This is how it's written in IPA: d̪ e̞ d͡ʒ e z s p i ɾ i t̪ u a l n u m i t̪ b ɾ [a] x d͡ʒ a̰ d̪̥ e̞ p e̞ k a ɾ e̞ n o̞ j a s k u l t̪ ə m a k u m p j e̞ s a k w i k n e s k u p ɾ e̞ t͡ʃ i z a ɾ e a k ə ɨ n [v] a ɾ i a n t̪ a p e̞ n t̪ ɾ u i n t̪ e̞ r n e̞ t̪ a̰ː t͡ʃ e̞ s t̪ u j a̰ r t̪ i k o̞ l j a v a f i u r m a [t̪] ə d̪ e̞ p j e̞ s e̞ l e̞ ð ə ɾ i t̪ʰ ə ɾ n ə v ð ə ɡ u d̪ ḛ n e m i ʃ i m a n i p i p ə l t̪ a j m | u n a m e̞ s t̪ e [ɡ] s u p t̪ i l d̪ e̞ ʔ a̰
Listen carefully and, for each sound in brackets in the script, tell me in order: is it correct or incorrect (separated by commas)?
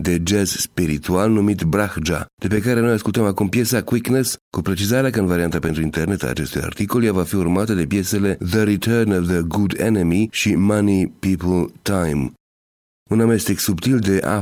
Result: correct, correct, correct, incorrect